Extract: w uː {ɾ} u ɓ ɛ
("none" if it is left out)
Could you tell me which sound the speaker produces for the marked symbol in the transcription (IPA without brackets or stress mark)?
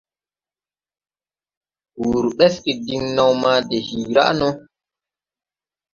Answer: ɾ